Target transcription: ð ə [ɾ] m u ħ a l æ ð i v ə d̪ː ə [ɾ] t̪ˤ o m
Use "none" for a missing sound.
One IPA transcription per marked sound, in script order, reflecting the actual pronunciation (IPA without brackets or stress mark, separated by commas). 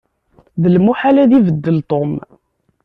l, l